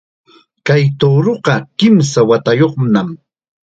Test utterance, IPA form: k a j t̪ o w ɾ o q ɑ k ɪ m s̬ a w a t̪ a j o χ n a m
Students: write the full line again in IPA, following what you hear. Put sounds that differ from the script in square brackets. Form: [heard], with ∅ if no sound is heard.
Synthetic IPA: k a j t̪ o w ɾ o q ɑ k ɪ m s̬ a w a t̪ a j o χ n a m